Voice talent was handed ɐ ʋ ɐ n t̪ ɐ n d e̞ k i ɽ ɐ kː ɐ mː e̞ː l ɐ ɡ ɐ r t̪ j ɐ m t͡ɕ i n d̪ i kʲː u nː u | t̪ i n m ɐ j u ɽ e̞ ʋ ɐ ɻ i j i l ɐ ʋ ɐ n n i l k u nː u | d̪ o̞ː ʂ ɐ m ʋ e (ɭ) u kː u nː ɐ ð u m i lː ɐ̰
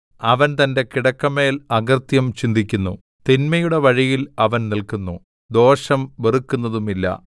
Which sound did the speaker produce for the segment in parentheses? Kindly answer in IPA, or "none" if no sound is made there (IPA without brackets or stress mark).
r